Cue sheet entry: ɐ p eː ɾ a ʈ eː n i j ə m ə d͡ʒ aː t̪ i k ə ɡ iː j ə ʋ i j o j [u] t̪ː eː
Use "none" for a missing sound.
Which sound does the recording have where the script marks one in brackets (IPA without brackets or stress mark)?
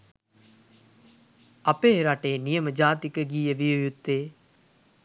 u